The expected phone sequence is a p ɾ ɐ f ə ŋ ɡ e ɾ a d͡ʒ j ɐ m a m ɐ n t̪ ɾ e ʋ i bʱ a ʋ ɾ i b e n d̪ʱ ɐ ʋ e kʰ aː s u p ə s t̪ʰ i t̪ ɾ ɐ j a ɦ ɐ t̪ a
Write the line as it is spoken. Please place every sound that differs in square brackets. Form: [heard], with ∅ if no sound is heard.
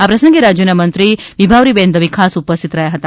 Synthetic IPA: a p ɾ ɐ [s] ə ŋ ɡ e ɾ a d͡ʒ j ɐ [n] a m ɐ n t̪ ɾ [i] ʋ i bʱ a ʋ ɾ i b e n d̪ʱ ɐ ʋ [i] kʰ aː s u p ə s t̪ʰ i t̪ ɾ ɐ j a ɦ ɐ t̪ a